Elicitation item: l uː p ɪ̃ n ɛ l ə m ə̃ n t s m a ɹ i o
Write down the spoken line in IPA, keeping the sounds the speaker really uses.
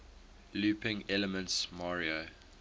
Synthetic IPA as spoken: l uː p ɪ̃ ŋ ɛ l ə m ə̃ n t s m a ɹ i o